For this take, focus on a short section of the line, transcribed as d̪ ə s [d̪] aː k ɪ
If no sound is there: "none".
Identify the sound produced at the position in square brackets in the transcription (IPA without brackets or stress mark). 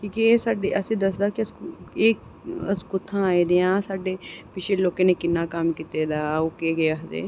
d̪